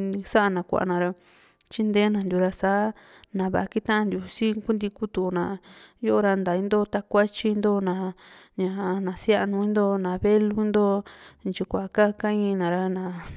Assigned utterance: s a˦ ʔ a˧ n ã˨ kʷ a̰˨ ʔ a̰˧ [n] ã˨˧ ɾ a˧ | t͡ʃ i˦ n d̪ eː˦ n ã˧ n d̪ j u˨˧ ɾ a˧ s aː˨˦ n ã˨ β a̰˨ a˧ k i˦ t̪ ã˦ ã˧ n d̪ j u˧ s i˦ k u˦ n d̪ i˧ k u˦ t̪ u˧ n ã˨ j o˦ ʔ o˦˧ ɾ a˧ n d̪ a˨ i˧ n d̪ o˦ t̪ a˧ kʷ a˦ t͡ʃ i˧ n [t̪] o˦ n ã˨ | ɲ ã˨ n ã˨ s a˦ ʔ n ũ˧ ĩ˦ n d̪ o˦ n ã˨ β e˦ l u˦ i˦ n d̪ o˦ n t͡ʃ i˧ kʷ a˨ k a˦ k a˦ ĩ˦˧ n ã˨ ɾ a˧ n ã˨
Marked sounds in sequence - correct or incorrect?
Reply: correct, incorrect: d̪

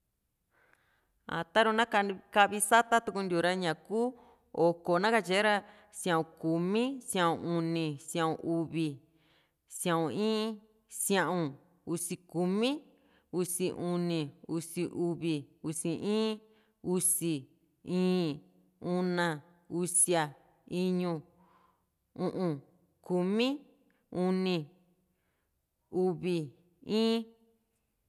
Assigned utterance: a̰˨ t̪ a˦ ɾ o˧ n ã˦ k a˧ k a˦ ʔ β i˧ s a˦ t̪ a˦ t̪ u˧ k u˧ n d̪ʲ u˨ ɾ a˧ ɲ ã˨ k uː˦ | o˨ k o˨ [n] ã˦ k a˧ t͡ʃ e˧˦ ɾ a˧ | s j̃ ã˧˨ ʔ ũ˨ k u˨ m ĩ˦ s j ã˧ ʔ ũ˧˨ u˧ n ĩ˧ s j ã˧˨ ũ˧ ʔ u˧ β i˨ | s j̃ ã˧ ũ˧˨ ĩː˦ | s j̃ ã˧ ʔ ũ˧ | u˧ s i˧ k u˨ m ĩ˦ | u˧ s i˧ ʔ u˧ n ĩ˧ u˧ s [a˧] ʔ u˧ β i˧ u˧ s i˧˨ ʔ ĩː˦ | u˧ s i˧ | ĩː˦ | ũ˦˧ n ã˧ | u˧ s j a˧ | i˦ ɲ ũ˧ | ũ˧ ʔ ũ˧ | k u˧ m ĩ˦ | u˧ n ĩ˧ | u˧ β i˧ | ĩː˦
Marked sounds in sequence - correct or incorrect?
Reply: correct, incorrect: i˧

